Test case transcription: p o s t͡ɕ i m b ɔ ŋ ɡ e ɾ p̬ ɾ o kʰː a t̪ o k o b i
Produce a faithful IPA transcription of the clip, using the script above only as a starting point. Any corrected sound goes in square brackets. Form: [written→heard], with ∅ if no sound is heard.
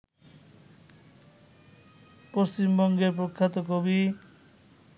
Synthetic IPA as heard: p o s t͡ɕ i m b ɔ ŋ ɡ e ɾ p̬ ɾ o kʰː a t̪ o k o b i